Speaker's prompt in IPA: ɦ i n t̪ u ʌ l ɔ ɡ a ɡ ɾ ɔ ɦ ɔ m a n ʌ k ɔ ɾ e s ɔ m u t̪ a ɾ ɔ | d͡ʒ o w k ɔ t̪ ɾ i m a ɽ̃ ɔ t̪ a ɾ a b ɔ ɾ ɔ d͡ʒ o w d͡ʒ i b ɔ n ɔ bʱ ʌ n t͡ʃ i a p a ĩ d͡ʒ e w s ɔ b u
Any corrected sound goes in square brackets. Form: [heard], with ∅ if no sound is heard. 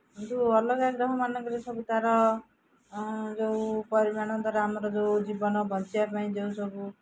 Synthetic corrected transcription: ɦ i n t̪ u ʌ l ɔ ɡ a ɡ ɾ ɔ ɦ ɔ m a n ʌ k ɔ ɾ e s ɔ [b] u t̪ a ɾ ɔ | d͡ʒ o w [p] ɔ [∅] ɾ i m a ɽ̃ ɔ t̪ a ɾ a [m] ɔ ɾ ɔ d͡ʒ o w d͡ʒ i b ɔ n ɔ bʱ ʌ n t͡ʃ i a p a ĩ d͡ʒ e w s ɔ b u